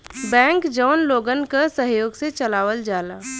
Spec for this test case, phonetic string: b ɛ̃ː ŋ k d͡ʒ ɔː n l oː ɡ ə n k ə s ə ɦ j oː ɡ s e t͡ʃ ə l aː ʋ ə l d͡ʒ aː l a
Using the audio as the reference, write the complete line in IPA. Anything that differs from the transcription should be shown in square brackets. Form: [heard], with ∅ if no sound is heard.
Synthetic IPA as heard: b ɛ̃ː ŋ k d͡ʒ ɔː n l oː ɡ ə n k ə s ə ɦ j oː ɡ s e t͡ʃ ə l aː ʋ ə l d͡ʒ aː l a